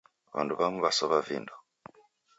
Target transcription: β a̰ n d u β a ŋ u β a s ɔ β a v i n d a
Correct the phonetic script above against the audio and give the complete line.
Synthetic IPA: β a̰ n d u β a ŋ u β a s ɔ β a v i n d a